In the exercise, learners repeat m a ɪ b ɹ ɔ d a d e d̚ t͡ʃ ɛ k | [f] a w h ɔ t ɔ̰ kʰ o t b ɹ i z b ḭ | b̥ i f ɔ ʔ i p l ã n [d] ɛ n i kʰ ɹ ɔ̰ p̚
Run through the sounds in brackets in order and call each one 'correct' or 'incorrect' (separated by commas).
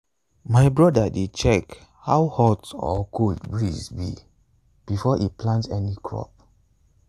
incorrect, incorrect